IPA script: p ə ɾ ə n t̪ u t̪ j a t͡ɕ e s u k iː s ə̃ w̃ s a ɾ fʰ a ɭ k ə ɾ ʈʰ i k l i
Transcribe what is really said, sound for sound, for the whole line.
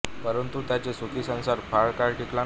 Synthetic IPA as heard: p ə ɾ ə n t̪ u t̪ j a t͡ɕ e s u k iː s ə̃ w̃ s a ɾ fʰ a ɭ k a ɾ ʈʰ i k l a

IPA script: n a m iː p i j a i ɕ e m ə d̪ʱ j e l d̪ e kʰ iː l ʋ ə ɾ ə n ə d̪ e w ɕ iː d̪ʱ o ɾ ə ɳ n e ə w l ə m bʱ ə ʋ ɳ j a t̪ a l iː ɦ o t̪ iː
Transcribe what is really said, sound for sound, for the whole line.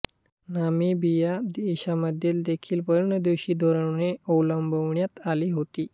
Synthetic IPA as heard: n a m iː b i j a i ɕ a m ə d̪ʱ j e l d̪ e kʰ iː l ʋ ə ɾ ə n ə d̪ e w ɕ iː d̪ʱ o ɾ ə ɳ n e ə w l ə m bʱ ə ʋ ɳ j a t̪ a l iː ɦ o t̪ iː

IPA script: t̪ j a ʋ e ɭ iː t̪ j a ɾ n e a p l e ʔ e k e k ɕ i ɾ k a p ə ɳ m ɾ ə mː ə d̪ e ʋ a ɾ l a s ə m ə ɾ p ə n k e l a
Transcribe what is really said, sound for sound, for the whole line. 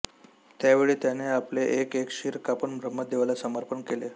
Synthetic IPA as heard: t̪ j a ʋ e ɭ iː t̪ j a n e a p l e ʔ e k e k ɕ i ɾ k a p ə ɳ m ɾ ə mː ə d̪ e ʋ a l a s ə m ə ɾ p ə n k e l e

